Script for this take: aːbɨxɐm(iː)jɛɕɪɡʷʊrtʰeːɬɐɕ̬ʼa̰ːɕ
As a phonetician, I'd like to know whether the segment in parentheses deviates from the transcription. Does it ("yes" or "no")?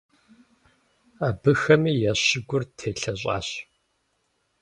no